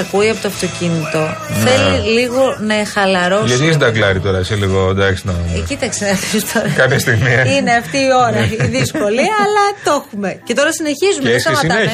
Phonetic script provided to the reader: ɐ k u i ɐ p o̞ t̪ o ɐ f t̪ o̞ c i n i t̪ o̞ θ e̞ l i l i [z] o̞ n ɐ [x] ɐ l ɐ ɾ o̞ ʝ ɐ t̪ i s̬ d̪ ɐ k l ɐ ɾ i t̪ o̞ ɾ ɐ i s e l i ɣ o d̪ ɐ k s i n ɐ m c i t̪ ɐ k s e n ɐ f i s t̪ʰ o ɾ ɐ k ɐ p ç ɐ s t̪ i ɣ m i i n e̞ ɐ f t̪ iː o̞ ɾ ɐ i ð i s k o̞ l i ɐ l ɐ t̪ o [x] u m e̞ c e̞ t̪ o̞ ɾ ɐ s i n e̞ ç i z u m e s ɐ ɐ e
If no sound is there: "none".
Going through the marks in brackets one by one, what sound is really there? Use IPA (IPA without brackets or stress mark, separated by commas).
ɣ, x, x